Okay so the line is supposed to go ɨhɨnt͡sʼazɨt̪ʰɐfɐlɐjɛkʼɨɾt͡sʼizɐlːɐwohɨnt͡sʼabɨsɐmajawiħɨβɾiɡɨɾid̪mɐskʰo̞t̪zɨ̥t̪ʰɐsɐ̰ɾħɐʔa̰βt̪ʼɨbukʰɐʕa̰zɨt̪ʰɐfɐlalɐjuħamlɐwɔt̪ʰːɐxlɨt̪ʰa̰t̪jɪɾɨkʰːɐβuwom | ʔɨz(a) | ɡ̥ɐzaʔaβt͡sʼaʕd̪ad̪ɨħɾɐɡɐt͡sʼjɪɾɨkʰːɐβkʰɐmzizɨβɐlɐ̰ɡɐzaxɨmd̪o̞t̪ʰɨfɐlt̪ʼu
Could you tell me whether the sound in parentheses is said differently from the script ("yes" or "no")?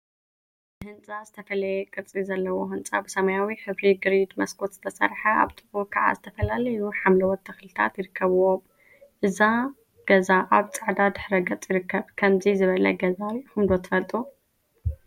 no